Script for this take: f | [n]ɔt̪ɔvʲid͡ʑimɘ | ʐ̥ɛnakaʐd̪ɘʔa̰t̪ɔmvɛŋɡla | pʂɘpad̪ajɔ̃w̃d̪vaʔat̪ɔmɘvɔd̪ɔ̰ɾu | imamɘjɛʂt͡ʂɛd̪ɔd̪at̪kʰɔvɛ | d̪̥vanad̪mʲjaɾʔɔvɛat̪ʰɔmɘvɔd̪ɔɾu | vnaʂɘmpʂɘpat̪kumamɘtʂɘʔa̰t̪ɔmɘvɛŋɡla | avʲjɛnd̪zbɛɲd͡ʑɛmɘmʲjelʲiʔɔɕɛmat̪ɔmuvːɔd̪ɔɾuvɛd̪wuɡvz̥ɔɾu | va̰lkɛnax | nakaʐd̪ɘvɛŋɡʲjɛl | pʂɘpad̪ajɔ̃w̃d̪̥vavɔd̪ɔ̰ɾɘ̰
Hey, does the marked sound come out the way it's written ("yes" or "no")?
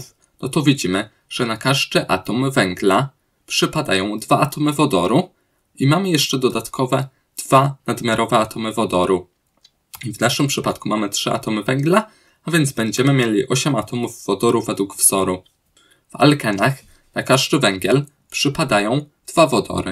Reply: yes